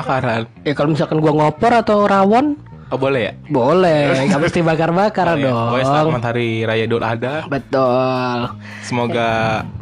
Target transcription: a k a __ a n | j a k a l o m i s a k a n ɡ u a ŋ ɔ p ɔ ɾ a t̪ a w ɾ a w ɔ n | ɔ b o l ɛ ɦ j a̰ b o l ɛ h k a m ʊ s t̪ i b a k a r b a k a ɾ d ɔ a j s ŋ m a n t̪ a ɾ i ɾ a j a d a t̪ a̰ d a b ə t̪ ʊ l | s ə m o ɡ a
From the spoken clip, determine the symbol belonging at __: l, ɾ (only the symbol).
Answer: ɾ